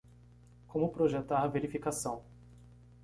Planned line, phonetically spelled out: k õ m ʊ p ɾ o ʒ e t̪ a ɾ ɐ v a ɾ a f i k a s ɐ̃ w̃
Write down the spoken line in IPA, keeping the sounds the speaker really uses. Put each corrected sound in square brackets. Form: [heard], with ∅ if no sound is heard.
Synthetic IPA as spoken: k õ m ʊ p ɾ o ʒ e t̪ a ɾ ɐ v [e] ɾ [i] f i k a s ɐ̃ w̃